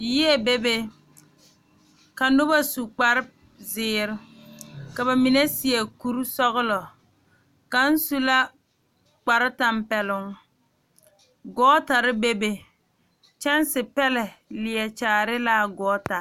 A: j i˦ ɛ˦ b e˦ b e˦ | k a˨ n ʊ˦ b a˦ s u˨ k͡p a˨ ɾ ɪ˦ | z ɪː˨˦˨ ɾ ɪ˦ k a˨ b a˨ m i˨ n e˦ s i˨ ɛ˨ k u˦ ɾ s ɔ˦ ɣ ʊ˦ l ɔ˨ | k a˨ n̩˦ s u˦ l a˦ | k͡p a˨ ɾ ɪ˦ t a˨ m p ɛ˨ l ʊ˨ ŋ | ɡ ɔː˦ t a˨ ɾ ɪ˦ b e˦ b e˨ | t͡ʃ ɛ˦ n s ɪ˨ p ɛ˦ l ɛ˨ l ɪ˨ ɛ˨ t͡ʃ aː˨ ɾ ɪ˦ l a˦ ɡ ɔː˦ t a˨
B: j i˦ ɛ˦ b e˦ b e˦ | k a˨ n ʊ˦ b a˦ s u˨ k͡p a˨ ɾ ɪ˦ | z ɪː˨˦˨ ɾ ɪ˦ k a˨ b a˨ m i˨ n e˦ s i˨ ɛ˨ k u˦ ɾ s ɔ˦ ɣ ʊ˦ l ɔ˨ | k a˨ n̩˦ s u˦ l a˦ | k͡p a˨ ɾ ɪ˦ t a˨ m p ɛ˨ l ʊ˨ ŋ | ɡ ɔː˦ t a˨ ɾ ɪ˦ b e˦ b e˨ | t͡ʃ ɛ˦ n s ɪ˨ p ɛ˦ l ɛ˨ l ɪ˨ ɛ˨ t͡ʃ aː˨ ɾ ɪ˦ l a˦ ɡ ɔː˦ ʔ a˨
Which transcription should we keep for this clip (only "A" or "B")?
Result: A